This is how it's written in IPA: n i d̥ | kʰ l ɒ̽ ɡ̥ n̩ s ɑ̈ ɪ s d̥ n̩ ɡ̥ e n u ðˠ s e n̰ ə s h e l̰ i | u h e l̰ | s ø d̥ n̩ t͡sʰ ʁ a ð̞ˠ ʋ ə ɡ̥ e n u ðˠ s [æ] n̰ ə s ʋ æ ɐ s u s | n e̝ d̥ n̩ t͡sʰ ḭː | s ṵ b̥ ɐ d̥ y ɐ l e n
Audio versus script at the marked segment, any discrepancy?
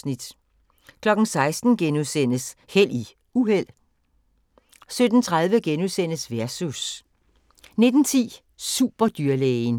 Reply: yes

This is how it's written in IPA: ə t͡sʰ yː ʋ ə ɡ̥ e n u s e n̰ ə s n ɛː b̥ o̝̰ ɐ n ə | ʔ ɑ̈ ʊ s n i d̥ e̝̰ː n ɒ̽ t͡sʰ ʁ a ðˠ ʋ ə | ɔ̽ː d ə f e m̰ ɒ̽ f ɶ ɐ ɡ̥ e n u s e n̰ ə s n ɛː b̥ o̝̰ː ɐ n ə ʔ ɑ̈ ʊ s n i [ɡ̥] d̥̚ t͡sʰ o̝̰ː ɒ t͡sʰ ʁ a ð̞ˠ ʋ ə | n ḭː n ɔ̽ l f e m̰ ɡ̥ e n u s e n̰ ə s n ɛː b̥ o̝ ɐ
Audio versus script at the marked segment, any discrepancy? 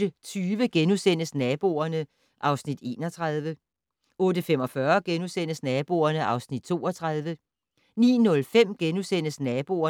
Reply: yes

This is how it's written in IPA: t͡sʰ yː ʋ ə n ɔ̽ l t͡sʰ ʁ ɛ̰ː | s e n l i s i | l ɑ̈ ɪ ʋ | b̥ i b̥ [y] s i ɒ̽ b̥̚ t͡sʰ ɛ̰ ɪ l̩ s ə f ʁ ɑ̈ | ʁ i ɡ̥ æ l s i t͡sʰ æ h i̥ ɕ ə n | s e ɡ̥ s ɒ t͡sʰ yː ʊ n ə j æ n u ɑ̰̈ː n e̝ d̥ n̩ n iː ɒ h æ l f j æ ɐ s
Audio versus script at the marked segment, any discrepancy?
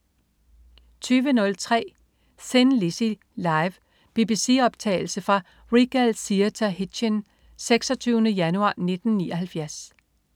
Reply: yes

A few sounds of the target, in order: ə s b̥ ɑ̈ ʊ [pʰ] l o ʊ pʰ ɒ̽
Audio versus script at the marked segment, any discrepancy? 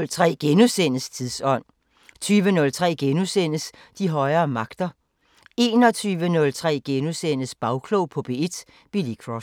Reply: yes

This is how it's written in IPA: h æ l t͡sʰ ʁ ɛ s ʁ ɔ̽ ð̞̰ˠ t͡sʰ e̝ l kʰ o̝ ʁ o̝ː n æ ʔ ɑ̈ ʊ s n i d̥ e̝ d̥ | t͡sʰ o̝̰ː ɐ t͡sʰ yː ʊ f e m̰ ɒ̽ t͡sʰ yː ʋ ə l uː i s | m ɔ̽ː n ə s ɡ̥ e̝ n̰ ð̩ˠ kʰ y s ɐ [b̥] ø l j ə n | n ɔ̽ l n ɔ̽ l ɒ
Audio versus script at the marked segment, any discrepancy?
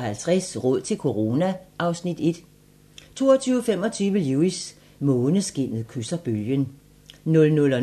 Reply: no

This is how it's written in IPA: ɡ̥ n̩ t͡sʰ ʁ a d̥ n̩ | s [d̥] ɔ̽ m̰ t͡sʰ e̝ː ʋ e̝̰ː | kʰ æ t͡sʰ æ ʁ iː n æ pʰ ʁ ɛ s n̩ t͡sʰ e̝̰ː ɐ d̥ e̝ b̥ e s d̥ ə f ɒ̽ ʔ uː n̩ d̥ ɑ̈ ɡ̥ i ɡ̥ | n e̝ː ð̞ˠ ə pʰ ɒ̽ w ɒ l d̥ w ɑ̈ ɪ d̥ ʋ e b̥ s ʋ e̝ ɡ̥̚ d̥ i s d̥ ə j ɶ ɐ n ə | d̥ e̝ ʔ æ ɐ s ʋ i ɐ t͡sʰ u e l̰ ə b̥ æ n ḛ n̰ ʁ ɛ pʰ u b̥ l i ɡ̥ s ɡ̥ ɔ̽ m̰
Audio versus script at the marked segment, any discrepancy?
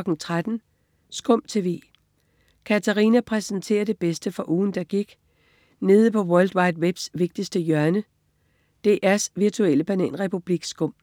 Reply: yes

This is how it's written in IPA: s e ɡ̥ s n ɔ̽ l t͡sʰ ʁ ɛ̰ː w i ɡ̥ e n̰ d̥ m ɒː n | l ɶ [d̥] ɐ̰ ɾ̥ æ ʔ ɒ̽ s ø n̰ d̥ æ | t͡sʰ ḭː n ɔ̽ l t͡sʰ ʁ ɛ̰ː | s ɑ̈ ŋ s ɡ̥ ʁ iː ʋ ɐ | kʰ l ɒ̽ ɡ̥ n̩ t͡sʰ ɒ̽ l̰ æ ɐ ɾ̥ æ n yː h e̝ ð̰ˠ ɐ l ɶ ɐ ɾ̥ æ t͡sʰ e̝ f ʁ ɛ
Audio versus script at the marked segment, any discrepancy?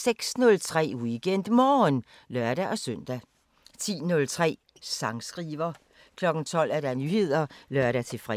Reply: yes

